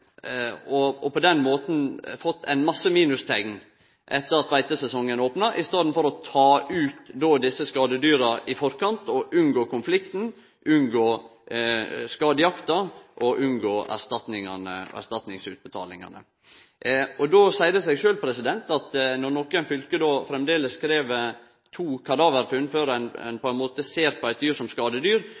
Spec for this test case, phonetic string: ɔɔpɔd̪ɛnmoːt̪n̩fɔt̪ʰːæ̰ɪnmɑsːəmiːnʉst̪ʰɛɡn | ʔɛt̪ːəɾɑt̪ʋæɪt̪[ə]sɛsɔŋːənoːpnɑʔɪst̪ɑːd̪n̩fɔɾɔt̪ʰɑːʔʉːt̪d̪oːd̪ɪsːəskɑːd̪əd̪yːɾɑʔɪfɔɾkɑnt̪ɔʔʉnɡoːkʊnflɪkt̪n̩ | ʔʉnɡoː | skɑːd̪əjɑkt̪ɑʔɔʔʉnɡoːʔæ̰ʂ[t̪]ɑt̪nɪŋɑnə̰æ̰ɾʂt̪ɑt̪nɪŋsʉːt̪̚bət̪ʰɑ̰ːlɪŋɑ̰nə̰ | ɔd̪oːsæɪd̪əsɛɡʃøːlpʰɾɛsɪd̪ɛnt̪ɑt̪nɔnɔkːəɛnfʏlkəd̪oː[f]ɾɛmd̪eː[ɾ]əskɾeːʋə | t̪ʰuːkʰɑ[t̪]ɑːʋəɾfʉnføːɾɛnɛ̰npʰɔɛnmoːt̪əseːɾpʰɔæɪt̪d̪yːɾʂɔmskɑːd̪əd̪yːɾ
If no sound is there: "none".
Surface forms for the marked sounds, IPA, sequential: ə, t̪, f, l, d̪

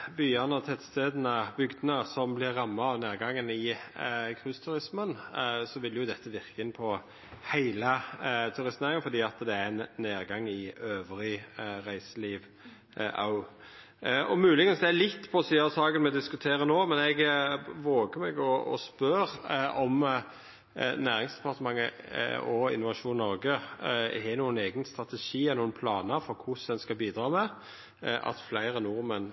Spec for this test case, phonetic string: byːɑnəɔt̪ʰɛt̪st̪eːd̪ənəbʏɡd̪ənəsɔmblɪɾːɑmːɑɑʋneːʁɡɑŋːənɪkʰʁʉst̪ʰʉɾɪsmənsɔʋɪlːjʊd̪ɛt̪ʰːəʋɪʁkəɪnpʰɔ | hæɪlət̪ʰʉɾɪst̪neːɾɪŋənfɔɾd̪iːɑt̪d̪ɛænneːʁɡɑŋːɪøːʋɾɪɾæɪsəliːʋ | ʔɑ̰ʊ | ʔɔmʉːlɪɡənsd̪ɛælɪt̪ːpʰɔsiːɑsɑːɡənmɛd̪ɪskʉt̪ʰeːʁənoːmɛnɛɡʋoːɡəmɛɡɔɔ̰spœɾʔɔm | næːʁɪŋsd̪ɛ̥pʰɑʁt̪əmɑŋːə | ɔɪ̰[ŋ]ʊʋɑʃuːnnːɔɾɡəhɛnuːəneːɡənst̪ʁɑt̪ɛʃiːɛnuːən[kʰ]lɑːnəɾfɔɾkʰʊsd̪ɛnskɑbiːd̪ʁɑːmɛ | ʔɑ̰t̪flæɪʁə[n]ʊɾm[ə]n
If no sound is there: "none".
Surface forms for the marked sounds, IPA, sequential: n, pʰ, n, ə

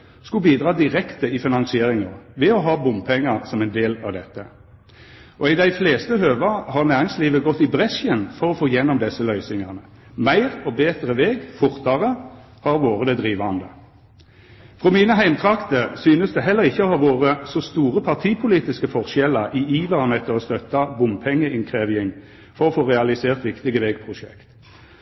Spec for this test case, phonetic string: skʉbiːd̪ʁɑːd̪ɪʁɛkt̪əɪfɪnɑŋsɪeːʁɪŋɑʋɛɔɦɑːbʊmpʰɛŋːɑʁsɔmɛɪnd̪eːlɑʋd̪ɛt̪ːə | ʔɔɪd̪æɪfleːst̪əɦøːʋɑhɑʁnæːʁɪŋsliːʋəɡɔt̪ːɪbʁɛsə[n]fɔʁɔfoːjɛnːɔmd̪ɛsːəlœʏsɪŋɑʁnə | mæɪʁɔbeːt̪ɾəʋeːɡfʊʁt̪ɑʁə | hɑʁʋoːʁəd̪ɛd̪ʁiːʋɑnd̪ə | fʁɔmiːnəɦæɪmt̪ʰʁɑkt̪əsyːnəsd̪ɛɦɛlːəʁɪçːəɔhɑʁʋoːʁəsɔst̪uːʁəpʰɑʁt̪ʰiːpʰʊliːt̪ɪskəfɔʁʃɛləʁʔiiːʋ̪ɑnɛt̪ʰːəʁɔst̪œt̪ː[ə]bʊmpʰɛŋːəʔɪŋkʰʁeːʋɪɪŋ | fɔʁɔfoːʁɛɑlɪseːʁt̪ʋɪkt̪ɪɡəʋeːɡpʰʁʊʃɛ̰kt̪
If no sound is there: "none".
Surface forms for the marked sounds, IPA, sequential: n, ɑ

